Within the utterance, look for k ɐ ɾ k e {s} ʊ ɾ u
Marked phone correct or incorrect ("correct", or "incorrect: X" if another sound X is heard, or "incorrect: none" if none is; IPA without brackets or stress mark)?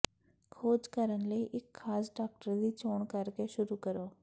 incorrect: ʃ